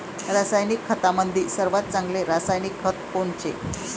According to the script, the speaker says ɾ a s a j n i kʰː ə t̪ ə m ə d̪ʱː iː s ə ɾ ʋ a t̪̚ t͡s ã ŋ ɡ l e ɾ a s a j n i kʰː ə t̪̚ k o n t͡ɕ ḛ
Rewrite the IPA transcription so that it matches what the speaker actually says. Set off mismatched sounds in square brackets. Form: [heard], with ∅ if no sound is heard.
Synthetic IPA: ɾ a s a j n i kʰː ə t̪ [a] m ə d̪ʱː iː s ə ɾ ʋ a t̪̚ t͡s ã ŋ ɡ l e ɾ a s a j n i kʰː ə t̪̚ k o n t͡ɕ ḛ